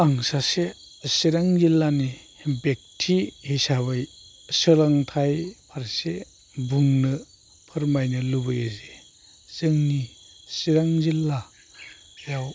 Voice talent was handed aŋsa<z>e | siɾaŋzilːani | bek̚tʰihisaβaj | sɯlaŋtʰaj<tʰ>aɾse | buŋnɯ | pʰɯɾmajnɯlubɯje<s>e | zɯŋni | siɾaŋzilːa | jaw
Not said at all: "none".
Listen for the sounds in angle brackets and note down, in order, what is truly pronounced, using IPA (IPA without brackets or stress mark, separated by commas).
s, pʰ, z